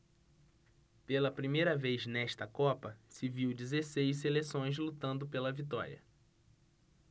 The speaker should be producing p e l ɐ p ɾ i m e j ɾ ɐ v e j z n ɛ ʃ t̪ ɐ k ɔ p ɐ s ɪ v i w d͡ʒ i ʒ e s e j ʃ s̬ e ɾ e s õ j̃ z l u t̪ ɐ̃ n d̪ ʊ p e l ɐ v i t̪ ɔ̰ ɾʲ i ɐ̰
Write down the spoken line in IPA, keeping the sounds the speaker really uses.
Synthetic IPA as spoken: p e l ɐ p ɾ i m e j ɾ ɐ v e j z n ɛ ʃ t̪ ɐ k ɔ p ɐ s ɪ v i w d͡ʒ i z e s e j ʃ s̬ e l e s õ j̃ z l u t̪ ɐ̃ n d̪ ʊ p e l ɐ v i t̪ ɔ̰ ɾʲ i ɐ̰